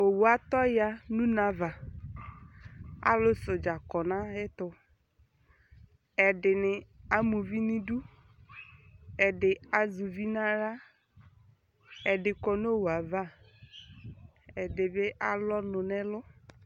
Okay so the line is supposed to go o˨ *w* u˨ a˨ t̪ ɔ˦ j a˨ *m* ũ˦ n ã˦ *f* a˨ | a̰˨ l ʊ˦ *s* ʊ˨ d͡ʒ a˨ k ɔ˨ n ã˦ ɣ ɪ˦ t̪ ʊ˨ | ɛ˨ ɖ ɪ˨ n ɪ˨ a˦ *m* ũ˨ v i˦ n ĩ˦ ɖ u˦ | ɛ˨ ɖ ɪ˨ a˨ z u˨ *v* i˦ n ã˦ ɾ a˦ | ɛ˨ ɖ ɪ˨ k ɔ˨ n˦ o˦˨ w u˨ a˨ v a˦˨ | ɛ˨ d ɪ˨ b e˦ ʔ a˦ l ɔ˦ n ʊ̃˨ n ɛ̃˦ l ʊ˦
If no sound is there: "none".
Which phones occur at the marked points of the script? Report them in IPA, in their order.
w, n, v, s, m, v

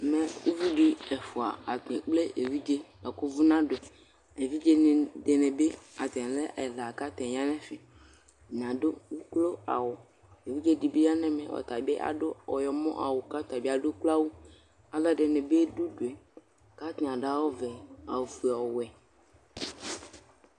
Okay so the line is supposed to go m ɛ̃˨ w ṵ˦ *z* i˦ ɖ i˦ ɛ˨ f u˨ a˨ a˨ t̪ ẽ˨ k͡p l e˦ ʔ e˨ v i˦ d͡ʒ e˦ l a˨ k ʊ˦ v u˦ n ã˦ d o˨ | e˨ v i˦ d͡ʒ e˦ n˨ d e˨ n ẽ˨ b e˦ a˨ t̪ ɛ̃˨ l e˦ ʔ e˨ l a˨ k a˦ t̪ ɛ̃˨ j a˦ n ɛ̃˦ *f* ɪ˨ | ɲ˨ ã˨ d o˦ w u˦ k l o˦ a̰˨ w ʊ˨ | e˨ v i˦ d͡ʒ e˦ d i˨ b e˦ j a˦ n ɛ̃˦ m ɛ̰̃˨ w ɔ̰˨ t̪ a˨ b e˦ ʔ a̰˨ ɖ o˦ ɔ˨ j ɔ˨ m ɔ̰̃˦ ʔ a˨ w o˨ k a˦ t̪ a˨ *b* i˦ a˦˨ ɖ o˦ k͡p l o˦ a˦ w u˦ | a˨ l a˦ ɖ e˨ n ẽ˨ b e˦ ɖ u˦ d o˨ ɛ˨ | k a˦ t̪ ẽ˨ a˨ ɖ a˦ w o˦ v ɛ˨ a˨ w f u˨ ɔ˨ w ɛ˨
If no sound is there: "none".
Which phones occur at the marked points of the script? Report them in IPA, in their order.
v, f, b

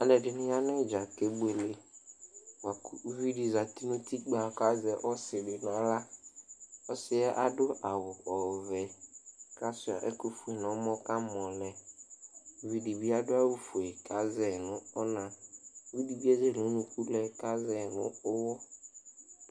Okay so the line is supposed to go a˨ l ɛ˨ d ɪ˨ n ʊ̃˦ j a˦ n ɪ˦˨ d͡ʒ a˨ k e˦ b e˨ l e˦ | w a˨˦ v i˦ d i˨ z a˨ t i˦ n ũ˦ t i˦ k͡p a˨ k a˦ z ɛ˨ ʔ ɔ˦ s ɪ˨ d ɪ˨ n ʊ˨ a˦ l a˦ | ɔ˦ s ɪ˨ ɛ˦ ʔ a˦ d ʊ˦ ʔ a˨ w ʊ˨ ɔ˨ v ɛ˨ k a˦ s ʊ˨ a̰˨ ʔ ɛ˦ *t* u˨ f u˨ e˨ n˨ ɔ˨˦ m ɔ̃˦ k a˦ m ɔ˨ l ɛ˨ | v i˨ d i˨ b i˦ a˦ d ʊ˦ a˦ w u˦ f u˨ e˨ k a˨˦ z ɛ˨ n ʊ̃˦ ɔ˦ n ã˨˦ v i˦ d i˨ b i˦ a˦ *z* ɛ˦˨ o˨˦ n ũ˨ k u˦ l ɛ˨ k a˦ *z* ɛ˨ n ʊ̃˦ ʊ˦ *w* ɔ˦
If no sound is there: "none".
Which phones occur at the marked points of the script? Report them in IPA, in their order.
k, z, z, w

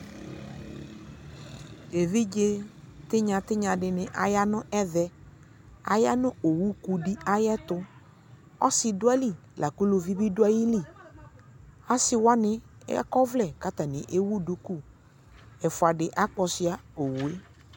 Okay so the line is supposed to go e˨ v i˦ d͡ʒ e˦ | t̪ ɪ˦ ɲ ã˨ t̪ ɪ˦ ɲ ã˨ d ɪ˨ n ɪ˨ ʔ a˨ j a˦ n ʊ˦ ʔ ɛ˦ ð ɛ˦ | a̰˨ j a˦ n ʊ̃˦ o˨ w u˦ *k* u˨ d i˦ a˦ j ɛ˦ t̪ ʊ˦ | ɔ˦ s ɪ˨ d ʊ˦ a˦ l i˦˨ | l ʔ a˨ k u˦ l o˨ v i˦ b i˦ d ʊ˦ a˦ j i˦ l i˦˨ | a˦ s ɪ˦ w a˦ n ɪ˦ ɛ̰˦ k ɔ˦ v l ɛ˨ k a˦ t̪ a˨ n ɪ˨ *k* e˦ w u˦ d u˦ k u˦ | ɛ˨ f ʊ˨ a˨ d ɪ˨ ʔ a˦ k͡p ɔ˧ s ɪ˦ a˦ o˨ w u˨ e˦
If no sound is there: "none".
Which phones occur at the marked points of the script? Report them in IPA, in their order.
k, ʔ

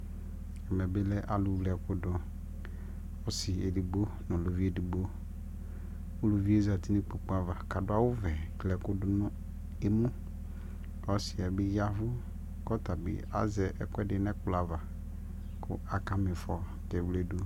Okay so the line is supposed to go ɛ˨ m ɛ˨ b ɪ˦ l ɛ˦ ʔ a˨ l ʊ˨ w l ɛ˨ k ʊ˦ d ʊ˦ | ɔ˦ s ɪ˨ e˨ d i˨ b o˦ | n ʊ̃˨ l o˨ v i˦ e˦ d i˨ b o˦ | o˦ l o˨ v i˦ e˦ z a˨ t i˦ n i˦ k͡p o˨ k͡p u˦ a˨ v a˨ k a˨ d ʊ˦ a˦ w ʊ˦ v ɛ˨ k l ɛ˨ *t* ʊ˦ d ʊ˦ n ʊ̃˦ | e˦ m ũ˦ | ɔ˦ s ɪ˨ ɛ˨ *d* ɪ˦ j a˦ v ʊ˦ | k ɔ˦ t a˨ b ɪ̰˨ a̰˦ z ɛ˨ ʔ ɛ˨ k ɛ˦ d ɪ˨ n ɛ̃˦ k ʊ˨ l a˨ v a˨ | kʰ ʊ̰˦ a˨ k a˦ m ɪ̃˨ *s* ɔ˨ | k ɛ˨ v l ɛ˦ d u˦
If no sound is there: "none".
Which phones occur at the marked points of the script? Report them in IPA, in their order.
k, b, f

